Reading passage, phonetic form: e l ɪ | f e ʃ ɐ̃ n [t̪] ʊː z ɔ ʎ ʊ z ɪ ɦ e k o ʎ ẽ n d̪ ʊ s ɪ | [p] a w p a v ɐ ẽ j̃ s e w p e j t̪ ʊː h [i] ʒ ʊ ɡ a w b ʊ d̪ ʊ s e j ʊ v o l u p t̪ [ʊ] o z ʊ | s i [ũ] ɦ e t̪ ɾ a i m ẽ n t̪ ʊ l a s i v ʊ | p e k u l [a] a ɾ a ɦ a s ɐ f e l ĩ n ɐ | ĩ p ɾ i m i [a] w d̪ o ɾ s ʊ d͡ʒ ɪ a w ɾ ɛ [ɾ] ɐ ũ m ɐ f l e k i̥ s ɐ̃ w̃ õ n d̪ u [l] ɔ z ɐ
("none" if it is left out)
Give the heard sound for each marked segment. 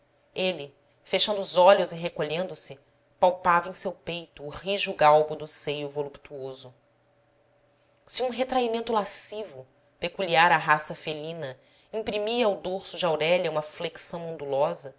d̪, p, i, u, ũ, i, ɐ, ʎ, l

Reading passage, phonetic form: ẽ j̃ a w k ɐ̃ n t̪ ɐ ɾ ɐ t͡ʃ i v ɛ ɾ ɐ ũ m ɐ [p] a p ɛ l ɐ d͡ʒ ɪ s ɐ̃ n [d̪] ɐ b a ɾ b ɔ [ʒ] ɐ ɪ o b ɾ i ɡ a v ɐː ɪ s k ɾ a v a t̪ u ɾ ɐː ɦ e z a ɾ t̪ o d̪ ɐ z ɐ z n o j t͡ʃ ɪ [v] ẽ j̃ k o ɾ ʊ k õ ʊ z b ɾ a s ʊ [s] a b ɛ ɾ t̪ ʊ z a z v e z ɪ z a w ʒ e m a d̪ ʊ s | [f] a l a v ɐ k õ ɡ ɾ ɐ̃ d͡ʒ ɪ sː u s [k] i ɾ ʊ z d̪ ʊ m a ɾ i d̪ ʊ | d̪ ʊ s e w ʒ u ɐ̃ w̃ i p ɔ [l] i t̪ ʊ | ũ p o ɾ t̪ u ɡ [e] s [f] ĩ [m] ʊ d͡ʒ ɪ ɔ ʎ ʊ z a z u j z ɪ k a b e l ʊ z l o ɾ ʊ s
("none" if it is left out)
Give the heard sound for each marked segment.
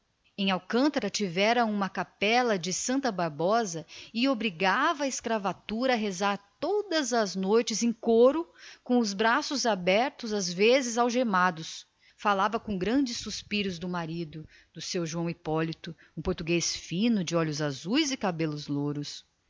k, t̪, z, z, z, f, p, l, e, f, n

